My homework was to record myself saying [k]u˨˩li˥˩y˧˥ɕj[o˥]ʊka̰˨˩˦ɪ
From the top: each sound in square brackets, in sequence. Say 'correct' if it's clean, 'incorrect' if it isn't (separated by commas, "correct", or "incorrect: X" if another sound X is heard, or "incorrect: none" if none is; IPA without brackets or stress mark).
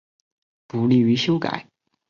incorrect: p, correct